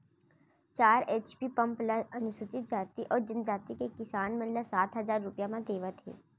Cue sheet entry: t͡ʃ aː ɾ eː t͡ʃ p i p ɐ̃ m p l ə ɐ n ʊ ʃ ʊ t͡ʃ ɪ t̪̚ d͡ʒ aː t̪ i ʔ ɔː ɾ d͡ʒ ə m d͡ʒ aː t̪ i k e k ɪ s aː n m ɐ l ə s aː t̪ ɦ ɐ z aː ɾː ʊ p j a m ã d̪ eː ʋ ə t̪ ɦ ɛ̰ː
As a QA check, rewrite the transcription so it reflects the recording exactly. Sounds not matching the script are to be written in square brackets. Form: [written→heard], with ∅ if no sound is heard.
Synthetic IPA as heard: t͡ʃ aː ɾ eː t͡ʃ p i p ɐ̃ m p l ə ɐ n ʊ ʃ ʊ t͡ʃ ɪ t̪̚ d͡ʒ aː t̪ i ʔ ɔː ɾ d͡ʒ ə [m→n] d͡ʒ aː t̪ i k e k ɪ s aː n m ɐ l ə s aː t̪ ɦ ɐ z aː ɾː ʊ p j a m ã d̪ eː ʋ ə t̪ ɦ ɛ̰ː